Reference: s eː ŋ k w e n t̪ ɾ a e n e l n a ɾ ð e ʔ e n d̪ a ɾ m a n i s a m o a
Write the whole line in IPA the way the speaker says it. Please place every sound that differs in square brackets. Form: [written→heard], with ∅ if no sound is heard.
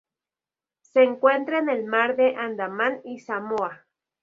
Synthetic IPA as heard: s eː ŋ k w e n t̪ ɾ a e n e l [n→m] a ɾ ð e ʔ [e→a] n d̪ a [ɾ→∅] m a n i s a m o a